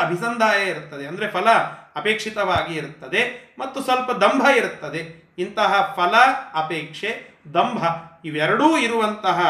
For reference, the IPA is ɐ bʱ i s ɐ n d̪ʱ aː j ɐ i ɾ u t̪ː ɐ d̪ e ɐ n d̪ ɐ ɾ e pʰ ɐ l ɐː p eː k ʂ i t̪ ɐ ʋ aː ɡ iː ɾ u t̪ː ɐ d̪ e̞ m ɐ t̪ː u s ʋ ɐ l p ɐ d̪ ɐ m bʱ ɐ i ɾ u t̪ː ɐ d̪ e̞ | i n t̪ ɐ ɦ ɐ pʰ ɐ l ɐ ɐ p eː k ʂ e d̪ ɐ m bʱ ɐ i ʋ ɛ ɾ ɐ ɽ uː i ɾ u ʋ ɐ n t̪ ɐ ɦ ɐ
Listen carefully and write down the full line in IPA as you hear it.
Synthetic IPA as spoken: ɐ bʱ i s ɐ n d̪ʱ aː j ɐ i ɾ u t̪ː ɐ d̪ e ɐ n d̪ ɐ ɾ e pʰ ɐ l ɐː p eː k ʂ i t̪ ɐ ʋ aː ɡ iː ɾ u t̪ː ɐ d̪ e̞ m ɐ t̪ː u s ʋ ɐ l p ɐ d̪ ɐ m bʱ ɐ i ɾ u t̪ː ɐ d̪ e̞ | i n t̪ ɐ ɦ ɐ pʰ ɐ l ɐ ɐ p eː k ʂ e d̪ ɐ m bʱ ɐ i ʋ ɛ ɾ ɐ ɽ uː i ɾ u ʋ ɐ n t̪ ɐ ɦ ɐ